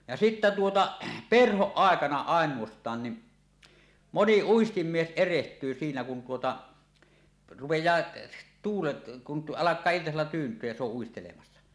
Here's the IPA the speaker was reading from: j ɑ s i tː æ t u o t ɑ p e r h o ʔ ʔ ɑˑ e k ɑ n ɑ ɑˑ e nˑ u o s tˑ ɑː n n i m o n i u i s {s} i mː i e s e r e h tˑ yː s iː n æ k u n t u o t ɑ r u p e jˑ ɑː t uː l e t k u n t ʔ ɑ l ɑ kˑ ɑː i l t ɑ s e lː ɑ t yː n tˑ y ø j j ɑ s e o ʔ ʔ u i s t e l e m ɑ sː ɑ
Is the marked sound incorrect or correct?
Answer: incorrect